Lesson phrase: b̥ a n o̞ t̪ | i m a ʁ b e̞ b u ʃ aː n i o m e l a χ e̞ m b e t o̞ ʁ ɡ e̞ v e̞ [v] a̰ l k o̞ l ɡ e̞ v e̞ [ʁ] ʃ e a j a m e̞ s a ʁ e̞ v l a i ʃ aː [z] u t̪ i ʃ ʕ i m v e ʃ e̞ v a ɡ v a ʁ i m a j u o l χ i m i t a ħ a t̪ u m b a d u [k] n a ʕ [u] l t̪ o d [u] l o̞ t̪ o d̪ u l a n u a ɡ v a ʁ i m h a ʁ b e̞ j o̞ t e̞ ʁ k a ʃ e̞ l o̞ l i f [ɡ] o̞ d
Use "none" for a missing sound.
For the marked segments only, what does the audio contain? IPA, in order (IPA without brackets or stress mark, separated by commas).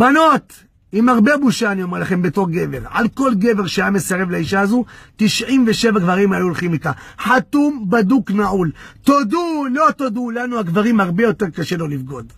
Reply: ʁ, ʁ, z, k, u, u, ɡ